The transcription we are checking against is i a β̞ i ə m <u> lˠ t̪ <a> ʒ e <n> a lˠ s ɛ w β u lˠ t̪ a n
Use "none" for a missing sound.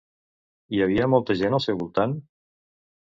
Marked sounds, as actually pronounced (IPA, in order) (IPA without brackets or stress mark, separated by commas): ɔ, ə, n